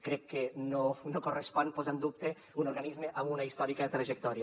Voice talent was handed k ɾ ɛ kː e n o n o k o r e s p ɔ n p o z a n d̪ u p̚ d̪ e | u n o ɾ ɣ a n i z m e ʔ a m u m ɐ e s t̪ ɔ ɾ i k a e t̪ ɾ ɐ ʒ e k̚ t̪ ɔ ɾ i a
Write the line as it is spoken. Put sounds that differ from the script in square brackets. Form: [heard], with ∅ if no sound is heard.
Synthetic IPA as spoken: k ɾ ɛ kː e n o n o k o r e s p ɔ n p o z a n d̪ u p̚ [t̪] e | u n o ɾ ɣ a n i z m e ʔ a m u [n] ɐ [i] s t̪ ɔ ɾ i k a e t̪ ɾ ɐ ʒ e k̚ t̪ ɔ ɾ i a